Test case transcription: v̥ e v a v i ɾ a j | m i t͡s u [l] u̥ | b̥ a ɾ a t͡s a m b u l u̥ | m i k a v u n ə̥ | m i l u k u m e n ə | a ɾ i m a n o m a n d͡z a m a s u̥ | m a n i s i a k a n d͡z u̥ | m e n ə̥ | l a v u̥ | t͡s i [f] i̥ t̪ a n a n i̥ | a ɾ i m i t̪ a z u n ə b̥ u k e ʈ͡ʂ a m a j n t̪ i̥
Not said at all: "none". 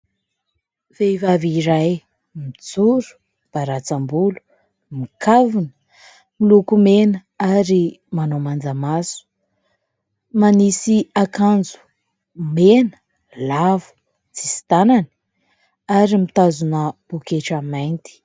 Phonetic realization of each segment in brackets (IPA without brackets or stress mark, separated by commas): ɾ, s